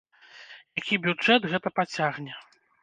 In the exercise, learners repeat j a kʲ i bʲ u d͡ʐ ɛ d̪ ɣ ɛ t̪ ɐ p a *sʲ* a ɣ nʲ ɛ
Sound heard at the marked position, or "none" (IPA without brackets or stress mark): t͡sʲ